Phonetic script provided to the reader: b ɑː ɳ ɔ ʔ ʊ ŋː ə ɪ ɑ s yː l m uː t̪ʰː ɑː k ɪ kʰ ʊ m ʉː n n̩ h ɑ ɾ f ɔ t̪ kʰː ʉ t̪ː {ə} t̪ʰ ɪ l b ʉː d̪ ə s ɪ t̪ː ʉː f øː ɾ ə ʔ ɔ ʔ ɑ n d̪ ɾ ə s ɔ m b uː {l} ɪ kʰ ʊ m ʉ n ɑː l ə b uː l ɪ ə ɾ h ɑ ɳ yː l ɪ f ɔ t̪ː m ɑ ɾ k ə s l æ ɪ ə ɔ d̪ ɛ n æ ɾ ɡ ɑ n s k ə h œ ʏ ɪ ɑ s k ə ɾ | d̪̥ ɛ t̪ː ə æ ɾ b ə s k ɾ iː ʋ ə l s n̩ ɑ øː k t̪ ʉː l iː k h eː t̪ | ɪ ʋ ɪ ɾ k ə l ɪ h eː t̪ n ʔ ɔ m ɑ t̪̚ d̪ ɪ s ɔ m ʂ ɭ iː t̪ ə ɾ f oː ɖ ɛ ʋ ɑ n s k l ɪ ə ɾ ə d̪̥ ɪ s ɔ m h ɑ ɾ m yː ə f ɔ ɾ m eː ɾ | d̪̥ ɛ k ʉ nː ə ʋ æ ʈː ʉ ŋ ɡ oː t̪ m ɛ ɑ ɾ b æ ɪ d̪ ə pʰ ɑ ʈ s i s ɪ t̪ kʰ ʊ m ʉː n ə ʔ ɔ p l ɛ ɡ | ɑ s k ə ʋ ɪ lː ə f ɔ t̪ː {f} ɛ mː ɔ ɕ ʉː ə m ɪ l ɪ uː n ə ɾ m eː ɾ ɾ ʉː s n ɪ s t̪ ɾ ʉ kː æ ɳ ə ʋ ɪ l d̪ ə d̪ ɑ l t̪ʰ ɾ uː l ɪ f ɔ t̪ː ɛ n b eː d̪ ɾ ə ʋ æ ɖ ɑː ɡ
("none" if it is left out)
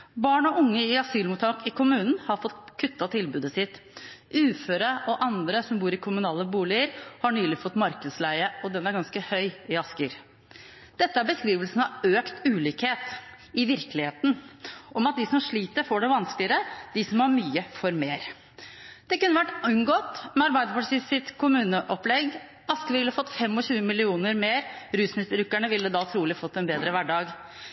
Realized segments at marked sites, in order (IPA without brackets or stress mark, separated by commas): ɑ, ɾ, f